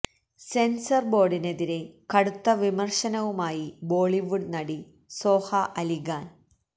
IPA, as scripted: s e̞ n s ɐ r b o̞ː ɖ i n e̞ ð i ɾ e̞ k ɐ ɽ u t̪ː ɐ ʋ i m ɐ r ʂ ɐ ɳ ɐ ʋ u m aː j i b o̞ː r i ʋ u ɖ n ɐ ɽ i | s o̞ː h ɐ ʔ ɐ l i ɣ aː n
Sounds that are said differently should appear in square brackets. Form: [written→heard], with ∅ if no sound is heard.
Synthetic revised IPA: s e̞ n s ɐ r b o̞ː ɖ i n e̞ ð i ɾ e̞ k ɐ ɽ u t̪ː ɐ ʋ i m ɐ r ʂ ɐ [ɳ→n] ɐ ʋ u m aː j i b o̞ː [r→ɭ] i ʋ u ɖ n ɐ ɽ i | s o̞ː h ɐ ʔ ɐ l i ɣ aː n